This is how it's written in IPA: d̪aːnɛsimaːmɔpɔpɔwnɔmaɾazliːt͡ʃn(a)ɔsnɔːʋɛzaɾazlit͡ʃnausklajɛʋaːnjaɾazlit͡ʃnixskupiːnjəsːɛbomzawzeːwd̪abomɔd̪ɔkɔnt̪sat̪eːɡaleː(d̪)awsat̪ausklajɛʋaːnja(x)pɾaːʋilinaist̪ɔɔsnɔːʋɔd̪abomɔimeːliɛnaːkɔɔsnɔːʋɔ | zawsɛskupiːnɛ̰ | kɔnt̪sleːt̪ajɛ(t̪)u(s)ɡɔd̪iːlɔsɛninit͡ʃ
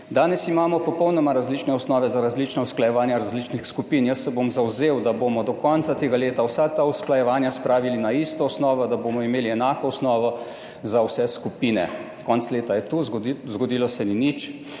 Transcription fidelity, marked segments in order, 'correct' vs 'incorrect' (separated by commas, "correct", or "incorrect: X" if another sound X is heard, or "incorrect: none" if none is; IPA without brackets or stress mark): incorrect: ɛ, incorrect: t̪, incorrect: s, correct, incorrect: z